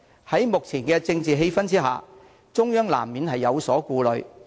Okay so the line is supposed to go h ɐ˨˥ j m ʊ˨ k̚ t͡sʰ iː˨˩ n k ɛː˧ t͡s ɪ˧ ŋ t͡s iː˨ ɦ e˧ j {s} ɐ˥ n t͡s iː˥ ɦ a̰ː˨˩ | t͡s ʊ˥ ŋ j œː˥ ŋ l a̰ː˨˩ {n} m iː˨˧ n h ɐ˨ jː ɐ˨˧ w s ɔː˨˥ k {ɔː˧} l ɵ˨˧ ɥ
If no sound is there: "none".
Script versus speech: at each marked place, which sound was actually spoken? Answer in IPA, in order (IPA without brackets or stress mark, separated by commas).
f, m, uː˧